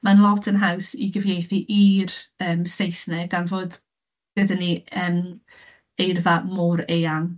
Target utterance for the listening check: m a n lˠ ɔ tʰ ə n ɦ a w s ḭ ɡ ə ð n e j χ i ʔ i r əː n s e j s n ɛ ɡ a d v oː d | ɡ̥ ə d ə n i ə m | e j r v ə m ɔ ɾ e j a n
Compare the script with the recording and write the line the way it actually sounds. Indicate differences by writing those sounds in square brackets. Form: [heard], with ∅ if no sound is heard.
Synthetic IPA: m a n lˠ ɔ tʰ ə n ɦ a w s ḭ ɡ ə [v] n e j [θ] i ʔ i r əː [m] s e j s n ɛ ɡ a [n] v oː d | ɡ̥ ə d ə n i ə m | e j r v [a] m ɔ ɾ e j a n